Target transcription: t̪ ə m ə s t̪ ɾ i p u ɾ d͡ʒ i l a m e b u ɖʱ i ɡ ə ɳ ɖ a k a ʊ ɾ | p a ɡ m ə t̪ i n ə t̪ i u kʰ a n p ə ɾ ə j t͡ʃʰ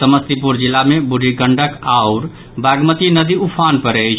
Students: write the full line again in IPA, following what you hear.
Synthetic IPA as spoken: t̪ ə m ə s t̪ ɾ i p u ɾ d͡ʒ i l a m e b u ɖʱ i ɡ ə ɳ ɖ ə k a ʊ ɾ | b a ɡ m ə t̪ i n ə d̪ i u pʰ a n p ə ɾ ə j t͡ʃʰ

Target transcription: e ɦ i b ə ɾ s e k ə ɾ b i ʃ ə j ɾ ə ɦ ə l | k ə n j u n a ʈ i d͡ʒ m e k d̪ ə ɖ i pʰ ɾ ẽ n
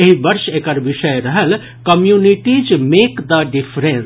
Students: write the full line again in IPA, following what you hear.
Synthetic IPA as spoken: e ɦ i b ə ɾ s e k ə ɾ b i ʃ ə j ɾ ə ɦ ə l | k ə m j u n i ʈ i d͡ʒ m e k d̪ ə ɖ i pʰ ɾ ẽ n

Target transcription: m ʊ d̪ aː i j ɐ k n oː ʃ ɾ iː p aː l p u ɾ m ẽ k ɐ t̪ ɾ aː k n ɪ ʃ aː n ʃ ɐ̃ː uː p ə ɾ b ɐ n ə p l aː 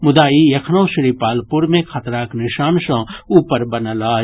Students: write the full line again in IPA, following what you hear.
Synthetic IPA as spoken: m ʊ d̪ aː i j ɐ kʰ n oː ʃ ɾ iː p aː l p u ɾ m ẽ kʰ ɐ t̪ ɾ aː k n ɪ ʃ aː n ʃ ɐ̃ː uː p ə ɾ b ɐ n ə l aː

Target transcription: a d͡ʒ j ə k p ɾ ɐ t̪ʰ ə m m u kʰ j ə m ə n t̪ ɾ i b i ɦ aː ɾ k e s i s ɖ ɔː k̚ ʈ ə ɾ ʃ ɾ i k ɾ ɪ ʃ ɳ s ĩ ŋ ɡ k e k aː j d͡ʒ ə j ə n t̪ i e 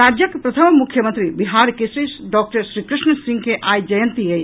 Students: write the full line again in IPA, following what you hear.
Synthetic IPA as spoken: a d͡ʒ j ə k p ɾ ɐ t̪ʰ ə m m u kʰ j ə m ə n t̪ ɾ i b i ɦ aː ɾ k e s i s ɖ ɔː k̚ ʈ ə ɾ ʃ ɾ i k ɾ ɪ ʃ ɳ s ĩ ŋ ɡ k e ʔ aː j d͡ʒ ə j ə n t̪ i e

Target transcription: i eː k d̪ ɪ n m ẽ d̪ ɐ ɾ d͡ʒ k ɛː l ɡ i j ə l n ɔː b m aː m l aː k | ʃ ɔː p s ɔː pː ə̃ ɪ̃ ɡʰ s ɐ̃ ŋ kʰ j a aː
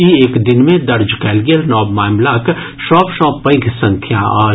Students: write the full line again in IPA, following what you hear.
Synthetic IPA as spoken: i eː k d̪ ɪ n m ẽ d̪ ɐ ɾ d͡ʒ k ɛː l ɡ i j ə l n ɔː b m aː m l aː k | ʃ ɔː p ʃ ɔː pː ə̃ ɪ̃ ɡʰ s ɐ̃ ŋ kʰ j a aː

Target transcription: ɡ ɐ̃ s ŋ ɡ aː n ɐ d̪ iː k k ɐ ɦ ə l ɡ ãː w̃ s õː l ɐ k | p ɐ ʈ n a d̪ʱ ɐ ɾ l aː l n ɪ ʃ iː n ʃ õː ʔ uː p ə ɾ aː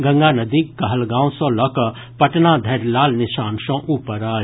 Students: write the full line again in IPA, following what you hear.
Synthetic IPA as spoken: ɡ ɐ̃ ŋ ɡ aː n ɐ d̪ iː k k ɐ ɦ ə l ɡ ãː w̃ s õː l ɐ k | p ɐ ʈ n a d̪ʱ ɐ ɾ l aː l n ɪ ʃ aː n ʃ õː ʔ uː p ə ɾ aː

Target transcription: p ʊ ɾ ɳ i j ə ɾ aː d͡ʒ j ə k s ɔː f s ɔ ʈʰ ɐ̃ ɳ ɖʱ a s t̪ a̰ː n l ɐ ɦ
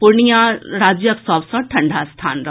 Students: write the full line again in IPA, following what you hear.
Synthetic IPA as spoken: p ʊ ɾ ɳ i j a ɾ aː d͡ʒ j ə k s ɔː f s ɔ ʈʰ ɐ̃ ɳ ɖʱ a s t̪ʰ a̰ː n ɾ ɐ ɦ

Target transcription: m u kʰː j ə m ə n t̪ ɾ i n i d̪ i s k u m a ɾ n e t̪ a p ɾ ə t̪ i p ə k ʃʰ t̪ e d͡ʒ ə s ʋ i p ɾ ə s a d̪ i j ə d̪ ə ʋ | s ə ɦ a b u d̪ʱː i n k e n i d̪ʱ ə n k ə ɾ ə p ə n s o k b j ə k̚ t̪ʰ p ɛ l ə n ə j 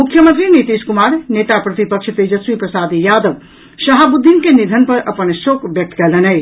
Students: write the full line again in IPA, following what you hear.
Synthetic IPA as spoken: m u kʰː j ə m ə n t̪ ɾ i n i t̪ i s k u m a ɾ n e t̪ a p ɾ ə t̪ i p ə k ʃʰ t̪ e d͡ʒ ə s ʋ i p ɾ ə s a d̪ i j a d̪ ə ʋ | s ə ɦ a b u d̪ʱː i n k e n i d̪ʱ ə n p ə ɾ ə p ə n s o k b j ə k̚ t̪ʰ k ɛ l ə n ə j

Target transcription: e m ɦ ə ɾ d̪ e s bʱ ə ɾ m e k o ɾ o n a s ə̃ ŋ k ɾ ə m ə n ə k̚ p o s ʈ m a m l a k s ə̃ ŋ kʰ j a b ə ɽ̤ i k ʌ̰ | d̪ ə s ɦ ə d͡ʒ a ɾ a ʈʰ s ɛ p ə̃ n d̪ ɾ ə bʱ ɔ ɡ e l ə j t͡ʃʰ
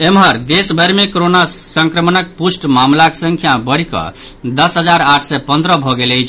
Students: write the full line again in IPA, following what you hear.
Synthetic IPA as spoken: e m ɦ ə ɾ d̪ e s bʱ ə ɾ m e k o ɾ o n a s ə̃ ŋ k ɾ ə m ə n ə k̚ p u s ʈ m a m l a k s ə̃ ŋ kʰ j a b ə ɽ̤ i k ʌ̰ | d̪ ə s ɦ ə d͡ʒ a ɾ a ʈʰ s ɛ p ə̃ n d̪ ɾ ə bʱ ɔ ɡ e l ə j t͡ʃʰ

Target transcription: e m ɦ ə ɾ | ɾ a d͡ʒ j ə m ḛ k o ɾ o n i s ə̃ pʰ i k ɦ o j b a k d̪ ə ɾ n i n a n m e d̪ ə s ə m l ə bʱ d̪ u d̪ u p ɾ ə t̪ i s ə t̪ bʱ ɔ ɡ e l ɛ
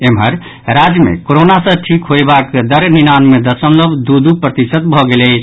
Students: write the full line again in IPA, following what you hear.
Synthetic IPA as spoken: e m ɦ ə ɾ | ɾ a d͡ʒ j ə m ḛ k o ɾ o n a s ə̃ ʈʰ i k ɦ o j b a k d̪ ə ɾ n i n a n m e d̪ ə s ə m l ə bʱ d̪ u d̪ u p ɾ ə t̪ i s ə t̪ bʱ ɔ ɡ e l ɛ

